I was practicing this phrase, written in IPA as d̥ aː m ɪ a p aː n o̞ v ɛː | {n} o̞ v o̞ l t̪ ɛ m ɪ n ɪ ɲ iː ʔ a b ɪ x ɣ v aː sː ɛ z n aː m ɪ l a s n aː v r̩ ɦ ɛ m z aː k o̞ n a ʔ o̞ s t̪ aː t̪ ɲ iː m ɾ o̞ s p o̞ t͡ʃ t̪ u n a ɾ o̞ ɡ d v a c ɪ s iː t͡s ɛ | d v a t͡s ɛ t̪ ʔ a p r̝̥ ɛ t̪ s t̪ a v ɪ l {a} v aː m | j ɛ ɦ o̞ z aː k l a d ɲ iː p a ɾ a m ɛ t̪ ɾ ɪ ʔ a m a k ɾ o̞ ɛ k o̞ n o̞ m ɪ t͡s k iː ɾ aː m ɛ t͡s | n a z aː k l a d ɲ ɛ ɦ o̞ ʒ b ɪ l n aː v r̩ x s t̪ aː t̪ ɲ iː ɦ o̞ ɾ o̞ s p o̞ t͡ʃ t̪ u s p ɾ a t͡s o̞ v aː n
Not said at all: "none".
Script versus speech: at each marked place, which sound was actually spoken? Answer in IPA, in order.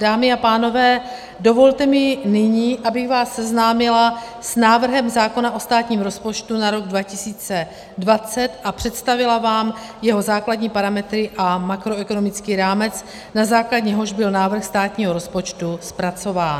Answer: d, a

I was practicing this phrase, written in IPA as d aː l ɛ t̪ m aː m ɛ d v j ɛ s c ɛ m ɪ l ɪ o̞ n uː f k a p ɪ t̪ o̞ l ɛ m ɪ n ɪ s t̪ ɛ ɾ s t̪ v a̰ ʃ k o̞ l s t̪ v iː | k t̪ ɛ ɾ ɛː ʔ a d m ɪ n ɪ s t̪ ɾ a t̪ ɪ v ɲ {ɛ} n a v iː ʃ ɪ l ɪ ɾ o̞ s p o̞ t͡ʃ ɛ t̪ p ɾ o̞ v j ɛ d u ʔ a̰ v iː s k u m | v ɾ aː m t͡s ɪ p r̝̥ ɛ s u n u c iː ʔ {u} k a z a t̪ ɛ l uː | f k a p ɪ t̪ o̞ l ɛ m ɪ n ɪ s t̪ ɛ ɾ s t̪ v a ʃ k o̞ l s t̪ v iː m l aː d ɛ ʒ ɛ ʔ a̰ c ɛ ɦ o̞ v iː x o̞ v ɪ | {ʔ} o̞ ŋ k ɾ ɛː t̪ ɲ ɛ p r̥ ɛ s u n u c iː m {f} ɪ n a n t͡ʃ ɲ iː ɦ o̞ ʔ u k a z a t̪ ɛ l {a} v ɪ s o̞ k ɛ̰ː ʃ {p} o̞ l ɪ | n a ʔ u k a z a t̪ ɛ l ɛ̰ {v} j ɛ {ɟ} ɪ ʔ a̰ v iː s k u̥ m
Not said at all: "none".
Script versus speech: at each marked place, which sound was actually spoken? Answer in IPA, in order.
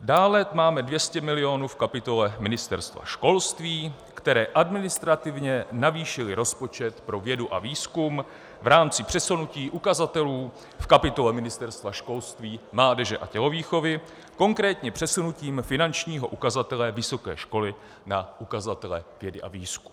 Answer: ɛ, u, k, f, ɛ, k, v, d

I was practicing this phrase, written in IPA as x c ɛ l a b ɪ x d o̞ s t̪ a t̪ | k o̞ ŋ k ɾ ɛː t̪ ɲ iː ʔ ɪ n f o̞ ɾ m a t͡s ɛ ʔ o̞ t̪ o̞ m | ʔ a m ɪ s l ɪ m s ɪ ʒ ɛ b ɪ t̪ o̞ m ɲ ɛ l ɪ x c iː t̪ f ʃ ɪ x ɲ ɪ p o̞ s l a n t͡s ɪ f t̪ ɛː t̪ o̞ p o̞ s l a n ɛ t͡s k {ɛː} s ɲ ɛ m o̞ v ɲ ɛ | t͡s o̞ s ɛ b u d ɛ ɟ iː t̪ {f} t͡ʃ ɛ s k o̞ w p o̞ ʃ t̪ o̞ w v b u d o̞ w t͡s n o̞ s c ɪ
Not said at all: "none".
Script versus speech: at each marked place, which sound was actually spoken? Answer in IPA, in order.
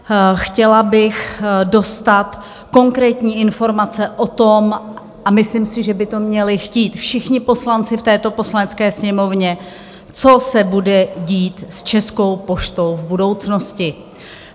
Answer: ɛː, s

